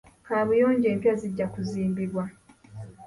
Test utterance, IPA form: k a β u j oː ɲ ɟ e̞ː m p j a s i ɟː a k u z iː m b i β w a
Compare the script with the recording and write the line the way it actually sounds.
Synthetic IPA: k a β u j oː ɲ ɟ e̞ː m p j a z i ɟː a k u z iː m b i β w a